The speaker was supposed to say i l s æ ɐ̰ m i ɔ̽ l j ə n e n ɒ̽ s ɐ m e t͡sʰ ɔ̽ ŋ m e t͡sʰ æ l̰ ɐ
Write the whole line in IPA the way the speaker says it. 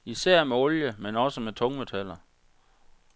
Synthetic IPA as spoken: i s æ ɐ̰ m e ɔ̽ l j ə m e n ɒ̽ s ə m e t͡sʰ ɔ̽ ŋ m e t͡sʰ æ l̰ ɐ